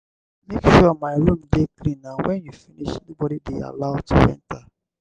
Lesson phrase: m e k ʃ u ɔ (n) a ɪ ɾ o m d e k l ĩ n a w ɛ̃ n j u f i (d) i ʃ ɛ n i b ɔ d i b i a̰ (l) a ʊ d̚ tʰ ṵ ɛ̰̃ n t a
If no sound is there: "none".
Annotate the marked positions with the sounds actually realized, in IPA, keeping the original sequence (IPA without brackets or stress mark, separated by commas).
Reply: m, n, l